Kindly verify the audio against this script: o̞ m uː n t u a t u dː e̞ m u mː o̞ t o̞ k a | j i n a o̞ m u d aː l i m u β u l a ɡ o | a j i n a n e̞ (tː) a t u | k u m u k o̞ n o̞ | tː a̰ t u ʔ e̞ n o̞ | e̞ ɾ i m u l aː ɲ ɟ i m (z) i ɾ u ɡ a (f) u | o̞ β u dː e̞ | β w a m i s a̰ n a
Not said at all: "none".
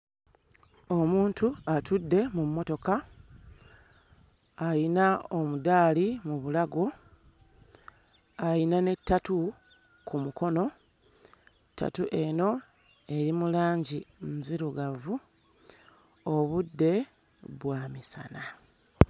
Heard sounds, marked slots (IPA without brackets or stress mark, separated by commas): tː, z, v